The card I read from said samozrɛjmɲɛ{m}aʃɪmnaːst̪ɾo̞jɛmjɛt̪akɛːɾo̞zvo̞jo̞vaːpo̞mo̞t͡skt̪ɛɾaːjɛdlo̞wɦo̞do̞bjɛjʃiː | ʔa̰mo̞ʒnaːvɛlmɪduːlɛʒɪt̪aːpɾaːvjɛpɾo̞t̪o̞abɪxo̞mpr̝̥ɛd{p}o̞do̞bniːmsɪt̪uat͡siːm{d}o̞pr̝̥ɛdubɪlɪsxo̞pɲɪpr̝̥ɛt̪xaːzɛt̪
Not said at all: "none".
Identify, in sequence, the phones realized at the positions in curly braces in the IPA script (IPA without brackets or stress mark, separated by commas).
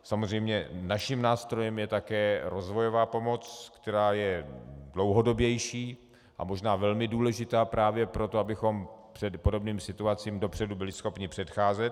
n, p, d